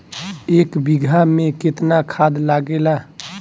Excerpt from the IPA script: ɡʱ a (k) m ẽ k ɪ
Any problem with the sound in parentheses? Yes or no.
yes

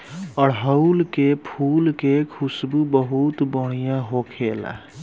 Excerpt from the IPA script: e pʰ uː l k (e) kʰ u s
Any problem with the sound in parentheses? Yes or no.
no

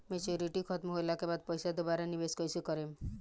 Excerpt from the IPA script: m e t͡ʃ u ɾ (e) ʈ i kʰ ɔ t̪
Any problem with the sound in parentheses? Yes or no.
yes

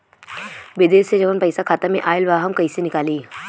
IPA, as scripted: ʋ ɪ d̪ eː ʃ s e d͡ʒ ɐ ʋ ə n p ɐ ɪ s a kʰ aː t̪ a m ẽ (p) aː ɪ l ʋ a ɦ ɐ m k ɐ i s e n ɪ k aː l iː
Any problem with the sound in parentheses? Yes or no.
yes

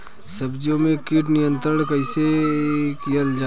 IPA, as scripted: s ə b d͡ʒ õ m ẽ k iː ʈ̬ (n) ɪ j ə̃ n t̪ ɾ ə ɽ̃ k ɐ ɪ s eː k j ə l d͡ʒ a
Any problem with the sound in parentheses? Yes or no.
no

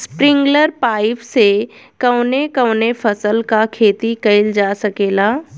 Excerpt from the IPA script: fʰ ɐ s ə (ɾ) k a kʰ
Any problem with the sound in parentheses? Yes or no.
yes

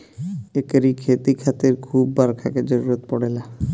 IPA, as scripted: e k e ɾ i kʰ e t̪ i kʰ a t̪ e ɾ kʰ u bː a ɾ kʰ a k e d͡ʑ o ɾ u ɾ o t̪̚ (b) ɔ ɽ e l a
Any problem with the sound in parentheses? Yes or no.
yes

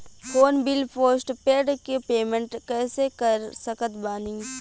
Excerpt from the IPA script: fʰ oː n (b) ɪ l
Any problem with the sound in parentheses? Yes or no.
no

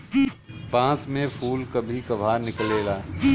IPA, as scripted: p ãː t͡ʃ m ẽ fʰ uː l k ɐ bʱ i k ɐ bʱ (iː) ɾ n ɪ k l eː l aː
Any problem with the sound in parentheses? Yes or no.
yes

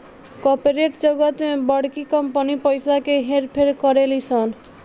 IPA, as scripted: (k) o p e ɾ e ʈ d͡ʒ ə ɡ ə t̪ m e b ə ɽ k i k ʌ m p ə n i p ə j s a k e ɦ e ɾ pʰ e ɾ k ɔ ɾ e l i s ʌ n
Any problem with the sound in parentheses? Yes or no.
no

